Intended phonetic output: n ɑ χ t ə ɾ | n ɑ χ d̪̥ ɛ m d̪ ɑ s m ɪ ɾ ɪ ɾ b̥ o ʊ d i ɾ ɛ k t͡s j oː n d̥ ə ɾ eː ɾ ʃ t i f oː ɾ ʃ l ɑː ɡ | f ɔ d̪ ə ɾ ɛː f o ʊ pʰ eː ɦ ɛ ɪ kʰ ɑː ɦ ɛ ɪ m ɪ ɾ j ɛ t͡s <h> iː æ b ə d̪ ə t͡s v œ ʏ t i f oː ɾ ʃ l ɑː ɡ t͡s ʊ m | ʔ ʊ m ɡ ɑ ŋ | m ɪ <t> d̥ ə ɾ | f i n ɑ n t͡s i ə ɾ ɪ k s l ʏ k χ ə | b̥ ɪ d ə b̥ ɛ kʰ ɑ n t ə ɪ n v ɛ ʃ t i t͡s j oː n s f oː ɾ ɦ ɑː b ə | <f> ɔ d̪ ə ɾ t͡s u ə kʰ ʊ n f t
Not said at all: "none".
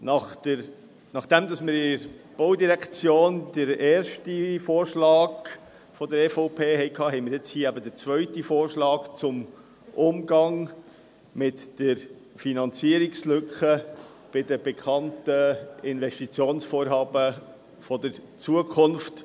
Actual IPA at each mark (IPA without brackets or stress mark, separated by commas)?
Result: h, t, f